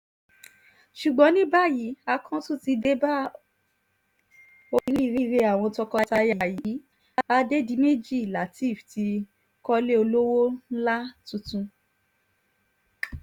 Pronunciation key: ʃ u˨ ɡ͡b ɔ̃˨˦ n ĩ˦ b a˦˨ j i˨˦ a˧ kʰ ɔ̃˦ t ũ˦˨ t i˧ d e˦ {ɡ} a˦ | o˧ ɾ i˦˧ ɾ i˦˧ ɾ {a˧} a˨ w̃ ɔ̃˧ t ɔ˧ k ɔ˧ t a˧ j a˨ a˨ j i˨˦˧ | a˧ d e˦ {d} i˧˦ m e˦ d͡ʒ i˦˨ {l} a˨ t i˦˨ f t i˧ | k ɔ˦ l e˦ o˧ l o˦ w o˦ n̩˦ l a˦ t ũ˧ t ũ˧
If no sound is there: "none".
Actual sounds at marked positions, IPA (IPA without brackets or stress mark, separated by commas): b, e˧, d, l